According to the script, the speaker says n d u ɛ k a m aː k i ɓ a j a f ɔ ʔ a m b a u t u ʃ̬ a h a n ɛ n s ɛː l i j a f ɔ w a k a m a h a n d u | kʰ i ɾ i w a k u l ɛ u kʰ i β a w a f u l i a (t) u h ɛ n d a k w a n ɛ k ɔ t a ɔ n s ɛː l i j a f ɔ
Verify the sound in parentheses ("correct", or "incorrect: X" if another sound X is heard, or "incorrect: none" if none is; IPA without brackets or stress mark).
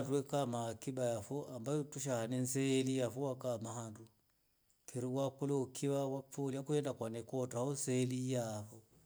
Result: incorrect: k